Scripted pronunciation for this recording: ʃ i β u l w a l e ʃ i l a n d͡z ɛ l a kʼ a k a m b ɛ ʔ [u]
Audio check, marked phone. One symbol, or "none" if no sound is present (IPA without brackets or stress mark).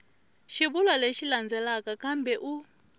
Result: u